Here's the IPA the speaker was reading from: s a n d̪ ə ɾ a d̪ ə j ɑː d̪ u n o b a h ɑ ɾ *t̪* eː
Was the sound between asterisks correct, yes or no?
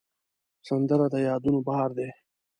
no